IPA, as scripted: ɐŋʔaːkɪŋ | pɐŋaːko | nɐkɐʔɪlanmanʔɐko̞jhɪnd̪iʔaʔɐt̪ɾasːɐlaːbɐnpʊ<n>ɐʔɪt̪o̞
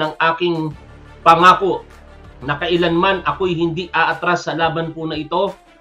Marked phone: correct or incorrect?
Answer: correct